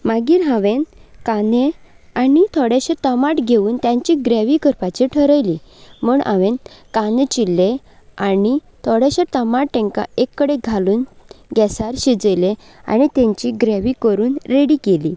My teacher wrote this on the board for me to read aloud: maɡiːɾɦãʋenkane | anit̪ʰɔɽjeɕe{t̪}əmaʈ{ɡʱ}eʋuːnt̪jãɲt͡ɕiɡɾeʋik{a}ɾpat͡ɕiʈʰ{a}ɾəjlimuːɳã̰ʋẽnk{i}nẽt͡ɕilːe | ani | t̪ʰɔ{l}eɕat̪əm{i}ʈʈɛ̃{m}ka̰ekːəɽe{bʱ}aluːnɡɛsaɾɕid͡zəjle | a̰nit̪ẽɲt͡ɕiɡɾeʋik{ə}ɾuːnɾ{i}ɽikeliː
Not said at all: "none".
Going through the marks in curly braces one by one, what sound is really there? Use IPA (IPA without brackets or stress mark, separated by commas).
t̪, ɡʱ, ə, ə, a, ɽ, a, ŋ, ɡʱ, ə, e